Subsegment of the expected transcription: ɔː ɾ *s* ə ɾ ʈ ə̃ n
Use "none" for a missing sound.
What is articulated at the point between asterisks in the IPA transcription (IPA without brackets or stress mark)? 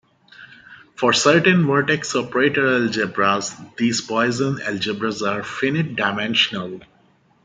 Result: s